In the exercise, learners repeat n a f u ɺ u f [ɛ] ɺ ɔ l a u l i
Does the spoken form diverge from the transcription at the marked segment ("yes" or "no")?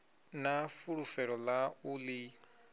no